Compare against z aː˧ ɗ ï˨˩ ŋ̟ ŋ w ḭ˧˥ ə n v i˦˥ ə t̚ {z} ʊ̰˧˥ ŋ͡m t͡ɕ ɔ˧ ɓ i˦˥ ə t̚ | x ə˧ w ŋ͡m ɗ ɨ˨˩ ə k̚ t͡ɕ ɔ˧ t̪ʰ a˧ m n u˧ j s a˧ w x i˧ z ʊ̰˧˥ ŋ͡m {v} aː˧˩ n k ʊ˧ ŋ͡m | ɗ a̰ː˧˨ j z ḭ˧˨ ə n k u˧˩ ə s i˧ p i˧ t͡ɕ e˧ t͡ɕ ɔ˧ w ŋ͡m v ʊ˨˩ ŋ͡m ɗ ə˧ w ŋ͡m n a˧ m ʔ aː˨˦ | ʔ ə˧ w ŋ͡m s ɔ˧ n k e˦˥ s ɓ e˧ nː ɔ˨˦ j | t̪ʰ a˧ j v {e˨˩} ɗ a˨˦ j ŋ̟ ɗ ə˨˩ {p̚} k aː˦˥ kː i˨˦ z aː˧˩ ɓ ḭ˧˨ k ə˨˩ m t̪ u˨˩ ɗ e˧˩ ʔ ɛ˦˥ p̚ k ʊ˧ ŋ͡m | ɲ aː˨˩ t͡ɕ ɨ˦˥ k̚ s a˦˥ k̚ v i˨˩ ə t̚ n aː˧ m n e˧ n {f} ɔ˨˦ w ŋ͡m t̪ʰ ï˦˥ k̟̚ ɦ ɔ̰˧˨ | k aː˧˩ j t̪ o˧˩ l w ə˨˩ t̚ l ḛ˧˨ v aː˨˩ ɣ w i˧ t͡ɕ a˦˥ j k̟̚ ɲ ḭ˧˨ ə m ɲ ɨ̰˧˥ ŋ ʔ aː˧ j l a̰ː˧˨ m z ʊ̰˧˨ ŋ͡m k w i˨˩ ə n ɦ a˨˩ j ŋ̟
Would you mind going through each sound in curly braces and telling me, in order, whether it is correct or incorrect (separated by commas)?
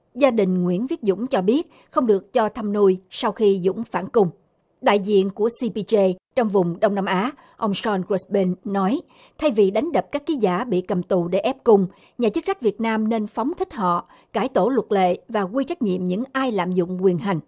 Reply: correct, incorrect, incorrect, correct, correct